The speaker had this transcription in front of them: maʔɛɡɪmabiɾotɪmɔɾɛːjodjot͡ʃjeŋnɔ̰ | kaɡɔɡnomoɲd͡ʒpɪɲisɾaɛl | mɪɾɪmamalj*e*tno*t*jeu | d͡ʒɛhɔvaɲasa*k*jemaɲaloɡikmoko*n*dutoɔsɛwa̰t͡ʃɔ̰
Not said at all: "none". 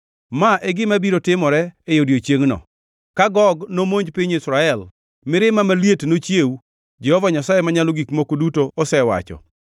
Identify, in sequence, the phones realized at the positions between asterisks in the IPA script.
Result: e, t͡ʃ, none, none

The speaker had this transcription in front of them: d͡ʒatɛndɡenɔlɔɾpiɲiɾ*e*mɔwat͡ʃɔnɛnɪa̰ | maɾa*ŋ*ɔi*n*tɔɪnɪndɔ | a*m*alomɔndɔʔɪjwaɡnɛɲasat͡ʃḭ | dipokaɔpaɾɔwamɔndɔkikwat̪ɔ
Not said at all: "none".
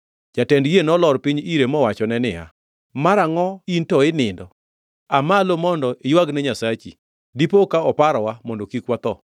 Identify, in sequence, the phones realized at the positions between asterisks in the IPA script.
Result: e, ŋ, n, m

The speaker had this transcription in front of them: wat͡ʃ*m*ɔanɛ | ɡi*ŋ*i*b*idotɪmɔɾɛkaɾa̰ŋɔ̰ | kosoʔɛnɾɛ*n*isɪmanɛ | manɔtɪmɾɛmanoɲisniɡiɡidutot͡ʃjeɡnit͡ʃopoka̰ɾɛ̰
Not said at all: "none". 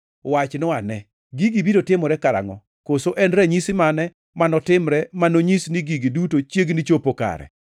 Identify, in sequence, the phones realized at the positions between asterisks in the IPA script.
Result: n, ɡ, b, ɲ

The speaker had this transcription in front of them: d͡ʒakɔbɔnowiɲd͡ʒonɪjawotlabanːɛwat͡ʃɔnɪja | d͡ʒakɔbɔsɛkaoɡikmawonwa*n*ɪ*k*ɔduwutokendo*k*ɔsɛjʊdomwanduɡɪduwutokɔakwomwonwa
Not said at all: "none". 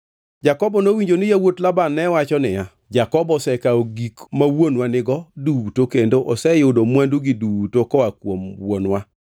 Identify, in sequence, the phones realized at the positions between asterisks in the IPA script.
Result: n, ɡ, ʔ

